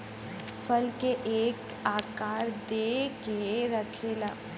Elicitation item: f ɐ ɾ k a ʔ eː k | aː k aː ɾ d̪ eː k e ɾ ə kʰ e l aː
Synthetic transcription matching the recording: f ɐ l k e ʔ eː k | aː k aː ɾ d̪ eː k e ɾ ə kʰ e l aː